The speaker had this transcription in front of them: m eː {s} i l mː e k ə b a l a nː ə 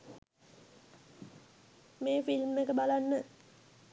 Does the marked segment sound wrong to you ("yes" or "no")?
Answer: yes